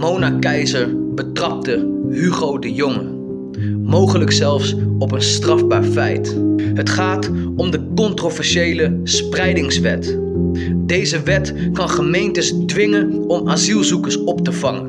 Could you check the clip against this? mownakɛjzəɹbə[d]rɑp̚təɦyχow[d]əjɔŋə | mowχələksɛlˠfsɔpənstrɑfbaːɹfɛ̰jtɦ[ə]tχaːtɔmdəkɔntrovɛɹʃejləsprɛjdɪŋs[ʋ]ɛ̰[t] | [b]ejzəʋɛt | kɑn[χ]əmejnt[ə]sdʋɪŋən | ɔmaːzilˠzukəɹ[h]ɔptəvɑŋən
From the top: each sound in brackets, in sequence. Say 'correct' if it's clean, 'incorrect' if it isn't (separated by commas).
incorrect, correct, correct, correct, correct, incorrect, correct, correct, incorrect